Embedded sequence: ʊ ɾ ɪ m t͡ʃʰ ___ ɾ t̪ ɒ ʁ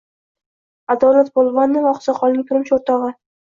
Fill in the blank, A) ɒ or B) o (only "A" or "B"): B